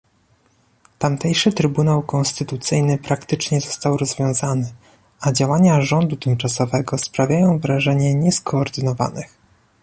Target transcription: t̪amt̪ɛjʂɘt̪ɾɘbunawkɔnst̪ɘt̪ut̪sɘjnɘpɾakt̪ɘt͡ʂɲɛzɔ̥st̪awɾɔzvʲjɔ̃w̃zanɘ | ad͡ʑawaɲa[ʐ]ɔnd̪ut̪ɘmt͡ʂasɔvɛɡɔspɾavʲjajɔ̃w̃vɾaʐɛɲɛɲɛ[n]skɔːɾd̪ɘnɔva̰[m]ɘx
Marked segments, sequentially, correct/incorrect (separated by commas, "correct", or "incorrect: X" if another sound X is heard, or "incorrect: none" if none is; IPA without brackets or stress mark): correct, incorrect: none, incorrect: n